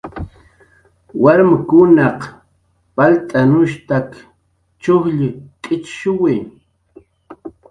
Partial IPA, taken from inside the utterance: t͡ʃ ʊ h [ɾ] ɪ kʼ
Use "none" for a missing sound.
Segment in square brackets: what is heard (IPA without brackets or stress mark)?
ʎ